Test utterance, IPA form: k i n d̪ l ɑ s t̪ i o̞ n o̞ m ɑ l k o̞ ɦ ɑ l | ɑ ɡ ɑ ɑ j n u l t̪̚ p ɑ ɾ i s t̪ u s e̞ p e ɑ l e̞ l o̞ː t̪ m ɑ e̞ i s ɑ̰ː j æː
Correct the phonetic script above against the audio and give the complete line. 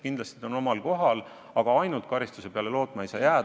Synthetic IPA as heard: k i n d̪ l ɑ s t̪ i o̞ n o̞ m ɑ l k o̞ ɦ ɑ l | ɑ ɡ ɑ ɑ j n u l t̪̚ k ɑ ɾ i s t̪ u s e̞ p e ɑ l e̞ l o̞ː t̪ m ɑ e̞ j s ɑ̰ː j æː